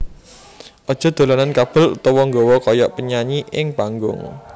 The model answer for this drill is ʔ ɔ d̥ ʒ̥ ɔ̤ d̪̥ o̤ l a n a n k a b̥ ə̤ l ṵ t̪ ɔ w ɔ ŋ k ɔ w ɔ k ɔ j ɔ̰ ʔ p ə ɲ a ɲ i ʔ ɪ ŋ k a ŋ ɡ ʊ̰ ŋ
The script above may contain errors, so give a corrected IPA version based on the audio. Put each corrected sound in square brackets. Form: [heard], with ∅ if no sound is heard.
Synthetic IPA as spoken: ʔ ɔ d̥ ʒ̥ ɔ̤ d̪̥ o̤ l a n a n k a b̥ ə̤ l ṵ t̪ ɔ w ɔ ŋ [ɡ] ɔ w ɔ k ɔ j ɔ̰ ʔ p ə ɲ a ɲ i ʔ ɪ ŋ [p] a ŋ ɡ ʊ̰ ŋ